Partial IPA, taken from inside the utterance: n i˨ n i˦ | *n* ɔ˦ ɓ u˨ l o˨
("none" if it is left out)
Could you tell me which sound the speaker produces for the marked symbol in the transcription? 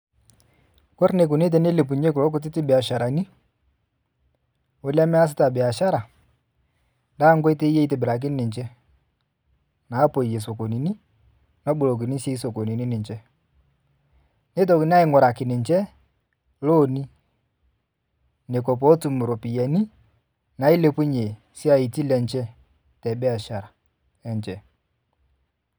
n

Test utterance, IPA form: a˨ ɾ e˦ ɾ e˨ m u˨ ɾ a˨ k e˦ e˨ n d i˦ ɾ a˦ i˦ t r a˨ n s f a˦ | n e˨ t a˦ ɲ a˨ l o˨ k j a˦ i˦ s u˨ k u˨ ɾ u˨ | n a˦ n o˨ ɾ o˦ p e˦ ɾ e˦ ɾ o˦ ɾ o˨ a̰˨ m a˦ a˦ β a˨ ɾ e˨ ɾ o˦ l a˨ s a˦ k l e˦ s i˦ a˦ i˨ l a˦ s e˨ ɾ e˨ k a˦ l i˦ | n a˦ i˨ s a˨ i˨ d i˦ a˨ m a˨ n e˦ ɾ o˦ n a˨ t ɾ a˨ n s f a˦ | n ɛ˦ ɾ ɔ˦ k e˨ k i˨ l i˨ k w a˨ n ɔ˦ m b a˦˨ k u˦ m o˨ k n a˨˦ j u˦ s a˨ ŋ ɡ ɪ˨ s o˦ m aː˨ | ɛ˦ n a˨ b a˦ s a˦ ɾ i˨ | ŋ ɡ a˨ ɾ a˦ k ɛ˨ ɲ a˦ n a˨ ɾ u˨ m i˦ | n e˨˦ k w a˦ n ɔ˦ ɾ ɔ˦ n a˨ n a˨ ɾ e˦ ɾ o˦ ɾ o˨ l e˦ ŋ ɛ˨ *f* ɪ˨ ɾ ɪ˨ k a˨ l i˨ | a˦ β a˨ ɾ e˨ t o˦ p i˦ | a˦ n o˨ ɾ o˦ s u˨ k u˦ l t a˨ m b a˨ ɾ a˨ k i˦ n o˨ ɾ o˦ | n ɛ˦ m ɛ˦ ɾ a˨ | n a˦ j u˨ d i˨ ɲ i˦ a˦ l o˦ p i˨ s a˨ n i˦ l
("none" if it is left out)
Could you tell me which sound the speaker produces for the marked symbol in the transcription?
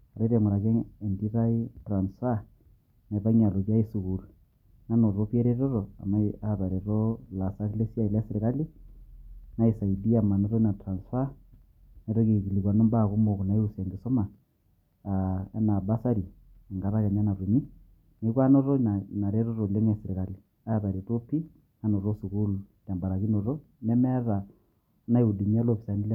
s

